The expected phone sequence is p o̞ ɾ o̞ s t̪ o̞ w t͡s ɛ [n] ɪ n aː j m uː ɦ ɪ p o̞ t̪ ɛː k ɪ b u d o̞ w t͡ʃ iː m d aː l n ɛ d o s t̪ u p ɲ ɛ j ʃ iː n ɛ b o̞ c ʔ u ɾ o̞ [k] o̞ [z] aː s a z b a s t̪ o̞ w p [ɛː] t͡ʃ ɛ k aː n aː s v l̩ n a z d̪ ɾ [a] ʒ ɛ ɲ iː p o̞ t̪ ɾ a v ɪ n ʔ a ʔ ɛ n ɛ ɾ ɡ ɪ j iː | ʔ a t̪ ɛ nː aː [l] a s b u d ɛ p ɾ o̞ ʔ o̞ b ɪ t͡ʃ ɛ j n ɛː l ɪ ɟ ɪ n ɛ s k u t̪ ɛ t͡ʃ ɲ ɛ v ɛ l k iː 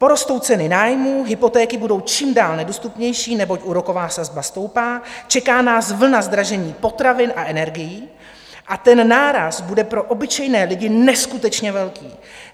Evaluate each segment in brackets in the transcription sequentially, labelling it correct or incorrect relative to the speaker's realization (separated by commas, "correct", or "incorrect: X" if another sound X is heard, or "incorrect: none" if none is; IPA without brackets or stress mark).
correct, correct, incorrect: v, incorrect: aː, correct, incorrect: ɾ